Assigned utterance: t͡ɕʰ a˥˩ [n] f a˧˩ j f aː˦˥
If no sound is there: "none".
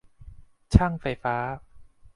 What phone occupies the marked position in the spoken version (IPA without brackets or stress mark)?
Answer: ŋ